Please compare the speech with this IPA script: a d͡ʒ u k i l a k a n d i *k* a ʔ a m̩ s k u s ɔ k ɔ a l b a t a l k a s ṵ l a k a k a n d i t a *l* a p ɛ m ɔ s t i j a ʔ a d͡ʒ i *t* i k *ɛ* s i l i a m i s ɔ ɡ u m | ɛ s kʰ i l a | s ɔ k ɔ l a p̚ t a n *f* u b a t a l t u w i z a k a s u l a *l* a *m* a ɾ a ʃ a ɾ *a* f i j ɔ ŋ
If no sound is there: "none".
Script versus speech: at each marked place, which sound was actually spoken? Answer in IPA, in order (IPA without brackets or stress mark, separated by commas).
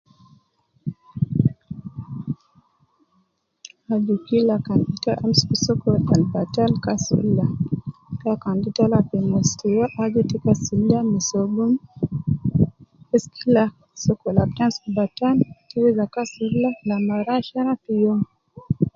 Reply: t, l, t, a, s, l, m, a